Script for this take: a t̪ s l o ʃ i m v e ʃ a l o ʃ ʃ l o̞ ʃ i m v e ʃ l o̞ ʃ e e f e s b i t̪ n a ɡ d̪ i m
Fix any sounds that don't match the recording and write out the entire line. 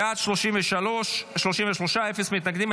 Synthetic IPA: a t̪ ʃ l o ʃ i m v e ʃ a l o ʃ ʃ l o̞ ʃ i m v e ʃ l o̞ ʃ a e f e s m i t̪ n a ɡ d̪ i m